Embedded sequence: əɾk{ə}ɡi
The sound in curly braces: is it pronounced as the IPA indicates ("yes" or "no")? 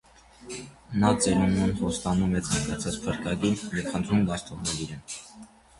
no